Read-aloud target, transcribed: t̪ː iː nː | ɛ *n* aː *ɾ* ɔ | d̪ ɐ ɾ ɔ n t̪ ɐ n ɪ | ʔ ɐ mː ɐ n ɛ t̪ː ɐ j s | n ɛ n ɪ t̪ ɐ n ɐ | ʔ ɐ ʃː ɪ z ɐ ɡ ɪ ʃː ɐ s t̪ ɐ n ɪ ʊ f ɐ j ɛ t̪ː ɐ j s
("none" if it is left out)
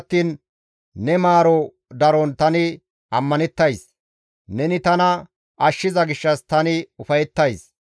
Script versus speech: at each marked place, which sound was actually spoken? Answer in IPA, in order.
m, ɾ

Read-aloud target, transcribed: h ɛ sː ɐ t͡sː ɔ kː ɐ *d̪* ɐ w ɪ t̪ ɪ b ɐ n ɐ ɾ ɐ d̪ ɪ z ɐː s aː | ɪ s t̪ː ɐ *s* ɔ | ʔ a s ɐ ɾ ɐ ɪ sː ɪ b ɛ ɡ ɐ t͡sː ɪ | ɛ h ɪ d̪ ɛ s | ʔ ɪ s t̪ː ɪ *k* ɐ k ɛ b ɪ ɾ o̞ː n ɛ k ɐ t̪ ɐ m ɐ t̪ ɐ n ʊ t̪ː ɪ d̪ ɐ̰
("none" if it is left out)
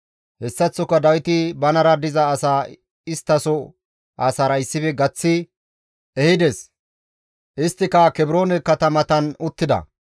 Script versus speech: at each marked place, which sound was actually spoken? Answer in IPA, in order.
d̪, s, k

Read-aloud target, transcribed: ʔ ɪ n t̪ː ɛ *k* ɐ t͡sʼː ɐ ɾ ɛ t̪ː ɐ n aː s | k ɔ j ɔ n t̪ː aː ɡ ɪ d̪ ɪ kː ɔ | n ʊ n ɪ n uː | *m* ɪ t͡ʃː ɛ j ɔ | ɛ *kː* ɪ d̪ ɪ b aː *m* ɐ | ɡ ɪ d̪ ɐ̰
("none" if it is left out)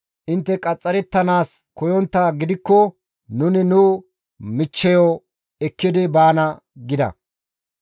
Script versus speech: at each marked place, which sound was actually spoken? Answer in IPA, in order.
kʼ, m, kː, n

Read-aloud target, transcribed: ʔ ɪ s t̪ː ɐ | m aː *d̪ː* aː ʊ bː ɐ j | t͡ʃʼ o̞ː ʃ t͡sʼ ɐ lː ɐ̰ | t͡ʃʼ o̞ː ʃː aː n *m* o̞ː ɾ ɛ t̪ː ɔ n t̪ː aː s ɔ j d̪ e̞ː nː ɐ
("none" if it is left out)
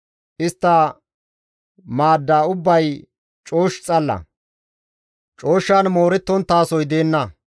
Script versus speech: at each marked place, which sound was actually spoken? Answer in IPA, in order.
d̪ː, m

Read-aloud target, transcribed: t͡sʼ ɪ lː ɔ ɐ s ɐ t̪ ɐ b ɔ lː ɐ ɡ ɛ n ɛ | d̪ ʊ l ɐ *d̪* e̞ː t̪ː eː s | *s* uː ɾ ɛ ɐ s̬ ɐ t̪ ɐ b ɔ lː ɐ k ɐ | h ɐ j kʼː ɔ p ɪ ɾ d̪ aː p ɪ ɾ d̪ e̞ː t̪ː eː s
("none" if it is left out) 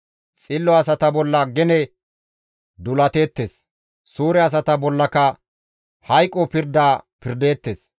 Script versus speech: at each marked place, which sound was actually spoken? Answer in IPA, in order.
t̪, s

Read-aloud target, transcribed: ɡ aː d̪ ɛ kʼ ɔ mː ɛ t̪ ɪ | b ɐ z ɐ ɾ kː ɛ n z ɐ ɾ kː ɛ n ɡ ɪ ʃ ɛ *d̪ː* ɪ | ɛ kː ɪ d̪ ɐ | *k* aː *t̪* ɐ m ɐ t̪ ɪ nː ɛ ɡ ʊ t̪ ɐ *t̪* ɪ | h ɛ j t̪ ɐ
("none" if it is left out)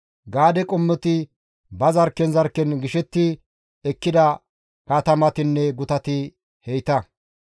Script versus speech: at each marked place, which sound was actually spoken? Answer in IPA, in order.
t̪ː, k, t̪, t̪

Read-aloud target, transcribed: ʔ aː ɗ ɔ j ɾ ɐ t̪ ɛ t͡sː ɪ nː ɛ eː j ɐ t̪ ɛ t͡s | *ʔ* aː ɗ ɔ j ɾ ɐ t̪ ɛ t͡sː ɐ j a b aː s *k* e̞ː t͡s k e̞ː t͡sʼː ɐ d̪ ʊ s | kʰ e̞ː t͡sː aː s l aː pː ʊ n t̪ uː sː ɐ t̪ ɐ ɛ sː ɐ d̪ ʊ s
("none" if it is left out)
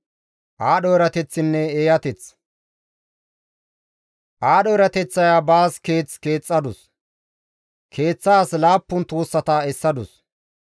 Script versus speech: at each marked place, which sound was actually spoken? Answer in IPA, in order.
ʔ, k

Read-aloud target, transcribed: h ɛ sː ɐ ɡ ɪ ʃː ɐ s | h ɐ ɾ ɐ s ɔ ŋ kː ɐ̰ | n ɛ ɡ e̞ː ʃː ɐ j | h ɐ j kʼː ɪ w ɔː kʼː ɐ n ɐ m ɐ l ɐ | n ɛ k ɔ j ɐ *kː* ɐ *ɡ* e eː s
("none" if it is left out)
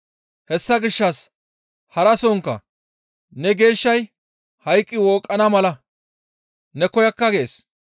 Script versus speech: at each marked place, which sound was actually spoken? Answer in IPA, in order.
kː, ɡ

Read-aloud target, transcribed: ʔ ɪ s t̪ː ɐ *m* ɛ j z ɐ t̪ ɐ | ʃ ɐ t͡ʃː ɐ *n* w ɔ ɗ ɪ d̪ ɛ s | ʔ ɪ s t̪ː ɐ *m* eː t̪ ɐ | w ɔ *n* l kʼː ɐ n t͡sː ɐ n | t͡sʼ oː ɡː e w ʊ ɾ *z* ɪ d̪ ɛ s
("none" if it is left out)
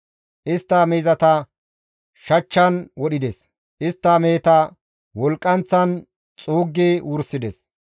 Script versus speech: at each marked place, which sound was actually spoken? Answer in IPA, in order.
m, n, m, none, s

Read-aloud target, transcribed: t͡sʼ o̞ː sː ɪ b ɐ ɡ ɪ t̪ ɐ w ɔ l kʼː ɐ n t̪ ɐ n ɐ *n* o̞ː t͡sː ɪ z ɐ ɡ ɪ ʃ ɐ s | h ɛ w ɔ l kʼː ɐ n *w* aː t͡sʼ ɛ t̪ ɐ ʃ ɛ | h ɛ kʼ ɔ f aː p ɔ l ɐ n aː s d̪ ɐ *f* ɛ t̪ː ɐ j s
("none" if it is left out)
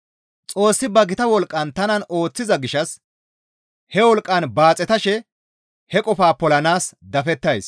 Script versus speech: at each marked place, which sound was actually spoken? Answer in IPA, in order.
n, b, f

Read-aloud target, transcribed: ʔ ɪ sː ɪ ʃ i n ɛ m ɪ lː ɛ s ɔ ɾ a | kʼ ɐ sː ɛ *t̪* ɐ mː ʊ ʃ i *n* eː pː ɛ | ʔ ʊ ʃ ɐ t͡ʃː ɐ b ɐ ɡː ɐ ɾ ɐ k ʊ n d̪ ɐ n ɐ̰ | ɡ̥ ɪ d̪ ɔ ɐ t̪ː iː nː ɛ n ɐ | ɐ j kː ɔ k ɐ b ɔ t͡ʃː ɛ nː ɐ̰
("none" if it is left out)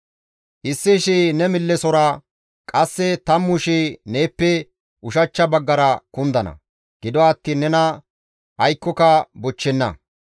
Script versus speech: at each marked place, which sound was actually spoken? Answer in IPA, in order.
t̪, n

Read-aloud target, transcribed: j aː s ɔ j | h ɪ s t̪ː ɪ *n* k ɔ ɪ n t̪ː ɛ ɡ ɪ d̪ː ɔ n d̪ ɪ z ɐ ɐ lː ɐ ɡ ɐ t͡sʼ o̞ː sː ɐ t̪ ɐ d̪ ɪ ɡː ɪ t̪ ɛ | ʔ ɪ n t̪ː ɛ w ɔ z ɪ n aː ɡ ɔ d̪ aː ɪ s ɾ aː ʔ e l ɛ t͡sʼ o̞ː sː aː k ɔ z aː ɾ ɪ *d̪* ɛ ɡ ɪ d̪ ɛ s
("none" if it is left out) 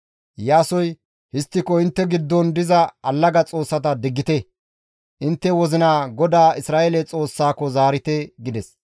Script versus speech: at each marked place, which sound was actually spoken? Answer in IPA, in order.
none, t̪

